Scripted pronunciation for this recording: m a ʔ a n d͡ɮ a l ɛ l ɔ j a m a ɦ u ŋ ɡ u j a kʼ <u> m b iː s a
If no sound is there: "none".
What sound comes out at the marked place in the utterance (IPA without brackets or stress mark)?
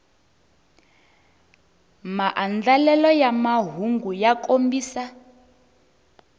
o